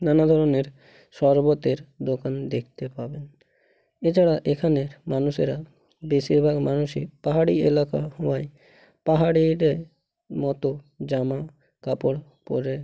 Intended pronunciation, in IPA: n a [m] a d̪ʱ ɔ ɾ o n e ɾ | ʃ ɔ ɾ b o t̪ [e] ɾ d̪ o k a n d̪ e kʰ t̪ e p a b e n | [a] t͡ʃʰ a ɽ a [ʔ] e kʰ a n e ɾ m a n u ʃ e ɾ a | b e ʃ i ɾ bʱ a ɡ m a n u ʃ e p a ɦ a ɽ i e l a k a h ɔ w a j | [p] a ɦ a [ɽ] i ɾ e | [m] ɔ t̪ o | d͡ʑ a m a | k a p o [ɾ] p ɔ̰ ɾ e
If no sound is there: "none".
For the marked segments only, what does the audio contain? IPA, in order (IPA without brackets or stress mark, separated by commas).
n, e, e, ʔ, p, ɽ, m, ɽ